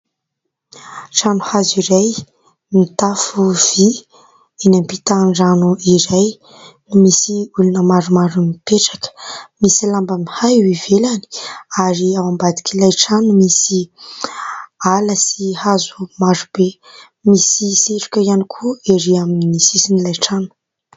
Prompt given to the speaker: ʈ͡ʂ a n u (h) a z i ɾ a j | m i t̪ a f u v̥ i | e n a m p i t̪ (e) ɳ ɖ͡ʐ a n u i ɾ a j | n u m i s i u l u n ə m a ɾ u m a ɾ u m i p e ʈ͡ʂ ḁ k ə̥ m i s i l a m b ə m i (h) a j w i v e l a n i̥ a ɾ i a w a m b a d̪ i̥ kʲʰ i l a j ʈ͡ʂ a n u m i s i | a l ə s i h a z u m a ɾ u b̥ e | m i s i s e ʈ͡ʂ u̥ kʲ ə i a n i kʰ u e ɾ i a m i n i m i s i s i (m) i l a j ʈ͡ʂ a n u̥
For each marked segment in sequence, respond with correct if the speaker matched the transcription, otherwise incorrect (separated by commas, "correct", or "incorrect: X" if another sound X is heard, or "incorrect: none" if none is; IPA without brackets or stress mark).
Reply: correct, incorrect: a, correct, incorrect: n